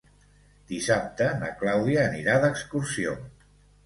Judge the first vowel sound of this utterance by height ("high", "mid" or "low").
high